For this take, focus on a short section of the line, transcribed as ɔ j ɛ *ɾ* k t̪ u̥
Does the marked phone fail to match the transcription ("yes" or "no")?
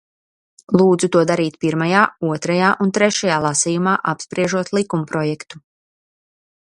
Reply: yes